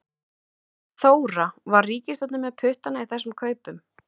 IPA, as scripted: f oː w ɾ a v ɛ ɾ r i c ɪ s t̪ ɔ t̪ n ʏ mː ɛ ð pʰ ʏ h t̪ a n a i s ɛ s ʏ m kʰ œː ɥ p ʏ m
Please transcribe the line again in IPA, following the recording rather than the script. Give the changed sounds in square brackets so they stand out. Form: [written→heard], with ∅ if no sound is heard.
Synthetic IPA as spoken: [f→θ] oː w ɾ a v [ɛ→a] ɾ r [i→iː] c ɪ s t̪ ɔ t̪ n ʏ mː ɛ ð pʰ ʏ h t̪ a n a i [s→θ] ɛ s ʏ m kʰ œː ɥ p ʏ m